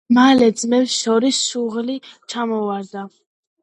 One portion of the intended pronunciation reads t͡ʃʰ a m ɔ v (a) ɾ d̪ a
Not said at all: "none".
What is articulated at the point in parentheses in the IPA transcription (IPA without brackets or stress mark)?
a